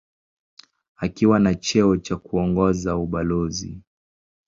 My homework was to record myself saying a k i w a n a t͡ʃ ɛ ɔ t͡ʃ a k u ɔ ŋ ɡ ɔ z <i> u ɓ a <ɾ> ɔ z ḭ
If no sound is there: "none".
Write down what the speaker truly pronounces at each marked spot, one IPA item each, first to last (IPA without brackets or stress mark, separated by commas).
a, l